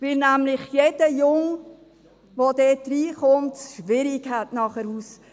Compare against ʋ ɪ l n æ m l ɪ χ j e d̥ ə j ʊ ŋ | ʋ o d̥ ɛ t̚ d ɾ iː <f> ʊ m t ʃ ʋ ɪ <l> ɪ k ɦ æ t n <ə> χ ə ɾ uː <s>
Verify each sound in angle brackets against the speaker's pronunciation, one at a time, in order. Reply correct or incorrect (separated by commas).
incorrect, incorrect, incorrect, correct